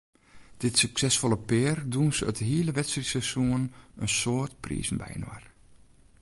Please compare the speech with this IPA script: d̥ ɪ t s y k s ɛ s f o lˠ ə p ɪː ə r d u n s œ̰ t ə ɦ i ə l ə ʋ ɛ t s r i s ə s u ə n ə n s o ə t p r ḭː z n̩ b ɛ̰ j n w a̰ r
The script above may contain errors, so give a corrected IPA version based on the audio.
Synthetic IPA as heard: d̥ ɪ t s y k s ɛ s f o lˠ ə p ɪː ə r d u n s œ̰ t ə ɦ i ə l ə ʋ ɛ t s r i s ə s u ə n ə n s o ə t p r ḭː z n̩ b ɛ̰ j n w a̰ r